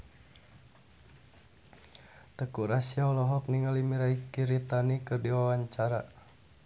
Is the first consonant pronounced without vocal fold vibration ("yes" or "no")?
yes